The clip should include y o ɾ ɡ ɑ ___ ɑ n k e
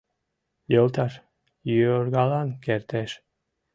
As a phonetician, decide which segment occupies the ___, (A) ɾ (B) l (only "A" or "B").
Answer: B